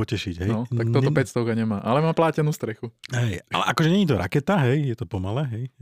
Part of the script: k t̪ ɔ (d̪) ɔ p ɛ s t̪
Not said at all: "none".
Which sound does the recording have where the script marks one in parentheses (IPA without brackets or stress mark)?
t̪